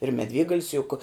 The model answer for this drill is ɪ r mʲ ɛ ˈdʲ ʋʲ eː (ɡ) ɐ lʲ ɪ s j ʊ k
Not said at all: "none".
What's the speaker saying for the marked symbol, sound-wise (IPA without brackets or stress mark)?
ɡ